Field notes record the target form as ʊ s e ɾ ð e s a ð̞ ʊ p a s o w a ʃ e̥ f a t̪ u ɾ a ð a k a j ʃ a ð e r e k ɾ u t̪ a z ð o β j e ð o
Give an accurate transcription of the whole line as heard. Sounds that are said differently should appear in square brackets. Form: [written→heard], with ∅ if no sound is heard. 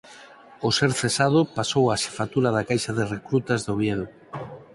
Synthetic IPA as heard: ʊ s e ɾ [ð→θ] e s a ð̞ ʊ p a s o w a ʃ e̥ f a t̪ u ɾ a ð a k a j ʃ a ð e r e k ɾ u t̪ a z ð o β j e ð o